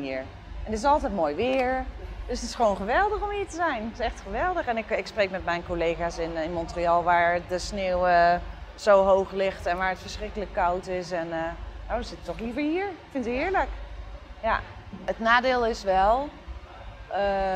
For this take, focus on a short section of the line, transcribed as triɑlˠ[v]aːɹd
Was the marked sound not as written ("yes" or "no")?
yes